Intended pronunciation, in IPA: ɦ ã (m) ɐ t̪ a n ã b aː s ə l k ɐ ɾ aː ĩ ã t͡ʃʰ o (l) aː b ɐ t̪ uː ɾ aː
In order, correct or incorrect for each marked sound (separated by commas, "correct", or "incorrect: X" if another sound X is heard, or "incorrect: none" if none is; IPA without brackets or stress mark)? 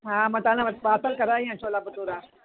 correct, correct